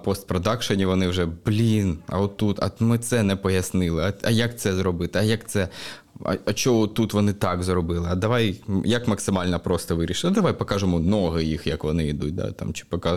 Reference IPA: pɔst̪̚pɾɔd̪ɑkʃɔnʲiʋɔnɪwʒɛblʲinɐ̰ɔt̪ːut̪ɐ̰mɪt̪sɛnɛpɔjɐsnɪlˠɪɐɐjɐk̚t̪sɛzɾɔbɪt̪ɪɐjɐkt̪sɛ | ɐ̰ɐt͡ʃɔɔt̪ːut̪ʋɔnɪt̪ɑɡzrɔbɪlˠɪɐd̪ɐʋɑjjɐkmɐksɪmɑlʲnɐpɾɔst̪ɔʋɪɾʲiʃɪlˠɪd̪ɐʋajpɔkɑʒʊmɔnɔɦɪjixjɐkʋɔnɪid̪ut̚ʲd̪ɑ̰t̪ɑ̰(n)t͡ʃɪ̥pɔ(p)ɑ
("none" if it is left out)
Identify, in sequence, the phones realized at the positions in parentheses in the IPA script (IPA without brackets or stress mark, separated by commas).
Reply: m, k